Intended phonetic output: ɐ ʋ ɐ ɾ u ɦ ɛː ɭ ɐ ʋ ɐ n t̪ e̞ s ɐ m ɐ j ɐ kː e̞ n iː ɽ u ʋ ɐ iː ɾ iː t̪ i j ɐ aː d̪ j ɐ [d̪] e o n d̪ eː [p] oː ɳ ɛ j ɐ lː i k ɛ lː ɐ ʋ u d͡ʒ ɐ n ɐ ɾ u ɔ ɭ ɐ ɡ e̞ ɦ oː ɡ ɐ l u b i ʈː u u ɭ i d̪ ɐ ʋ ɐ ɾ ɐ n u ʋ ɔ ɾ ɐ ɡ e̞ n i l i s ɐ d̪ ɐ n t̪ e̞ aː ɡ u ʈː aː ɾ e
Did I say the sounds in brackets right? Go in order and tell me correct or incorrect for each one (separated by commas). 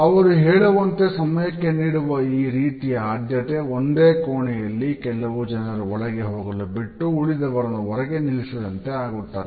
incorrect, incorrect